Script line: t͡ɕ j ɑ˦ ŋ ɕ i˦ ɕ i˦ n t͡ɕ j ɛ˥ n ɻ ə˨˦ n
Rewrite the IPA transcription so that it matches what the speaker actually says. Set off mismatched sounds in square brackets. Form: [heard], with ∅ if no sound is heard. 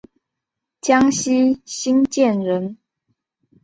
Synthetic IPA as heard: t͡ɕ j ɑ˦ ŋ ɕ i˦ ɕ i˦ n t͡ɕ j [ɛ˥˨] n ɻ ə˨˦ n